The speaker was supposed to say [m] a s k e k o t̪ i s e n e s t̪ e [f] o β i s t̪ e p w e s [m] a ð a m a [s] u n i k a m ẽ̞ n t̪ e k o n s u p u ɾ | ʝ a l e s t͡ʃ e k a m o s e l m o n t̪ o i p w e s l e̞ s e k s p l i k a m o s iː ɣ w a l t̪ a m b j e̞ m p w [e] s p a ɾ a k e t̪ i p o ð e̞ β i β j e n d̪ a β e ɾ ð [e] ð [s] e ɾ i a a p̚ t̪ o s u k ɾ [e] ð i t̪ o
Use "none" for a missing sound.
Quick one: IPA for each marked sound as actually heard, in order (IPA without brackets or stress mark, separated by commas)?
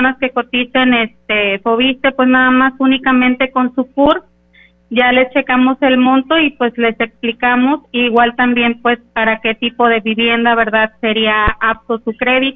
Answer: n, f, n, s, e, a, s, e